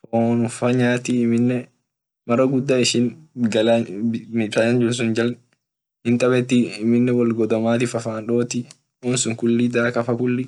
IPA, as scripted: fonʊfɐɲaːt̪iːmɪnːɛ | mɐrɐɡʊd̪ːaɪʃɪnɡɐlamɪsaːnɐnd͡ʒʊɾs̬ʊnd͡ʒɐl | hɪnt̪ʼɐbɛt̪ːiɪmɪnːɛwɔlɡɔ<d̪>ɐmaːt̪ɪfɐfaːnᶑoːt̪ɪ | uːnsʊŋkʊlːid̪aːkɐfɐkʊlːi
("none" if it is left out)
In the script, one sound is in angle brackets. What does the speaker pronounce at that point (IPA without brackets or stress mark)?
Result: d̪